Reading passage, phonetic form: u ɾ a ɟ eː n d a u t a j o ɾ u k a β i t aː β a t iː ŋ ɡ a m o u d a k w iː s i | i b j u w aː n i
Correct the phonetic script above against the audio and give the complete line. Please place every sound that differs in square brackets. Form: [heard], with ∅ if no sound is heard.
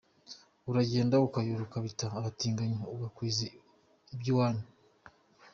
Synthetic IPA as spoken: u ɾ a ɟ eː n d a u [k] a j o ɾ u k a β i t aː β a t iː ŋ ɡ a [ɲ] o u [ɡ] a k w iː [z] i | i b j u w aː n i